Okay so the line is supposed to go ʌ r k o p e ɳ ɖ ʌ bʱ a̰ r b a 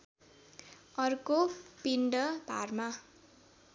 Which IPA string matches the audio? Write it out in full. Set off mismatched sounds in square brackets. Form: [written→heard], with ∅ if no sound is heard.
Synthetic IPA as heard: ʌ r k o p [e→i] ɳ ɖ ʌ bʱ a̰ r [b→m] a